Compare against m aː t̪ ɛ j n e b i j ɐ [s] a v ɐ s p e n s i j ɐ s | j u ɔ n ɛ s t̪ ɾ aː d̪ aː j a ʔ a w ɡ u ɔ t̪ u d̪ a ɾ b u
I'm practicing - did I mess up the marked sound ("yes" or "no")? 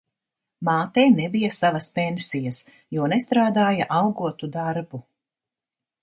no